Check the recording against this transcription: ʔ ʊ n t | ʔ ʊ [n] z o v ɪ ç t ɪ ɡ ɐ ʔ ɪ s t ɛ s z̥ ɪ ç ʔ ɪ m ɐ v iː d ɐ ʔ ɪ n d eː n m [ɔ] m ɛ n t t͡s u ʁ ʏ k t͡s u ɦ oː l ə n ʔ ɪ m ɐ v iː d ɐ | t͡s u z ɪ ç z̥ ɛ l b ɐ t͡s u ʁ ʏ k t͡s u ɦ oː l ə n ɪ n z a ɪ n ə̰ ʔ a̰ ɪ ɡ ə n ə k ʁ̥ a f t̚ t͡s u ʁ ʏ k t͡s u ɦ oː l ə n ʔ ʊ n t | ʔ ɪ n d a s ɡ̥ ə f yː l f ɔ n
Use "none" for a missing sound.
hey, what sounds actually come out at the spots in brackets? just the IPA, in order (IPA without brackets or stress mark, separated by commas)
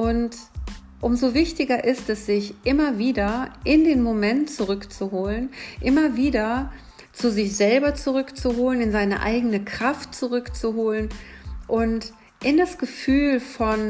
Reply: m, o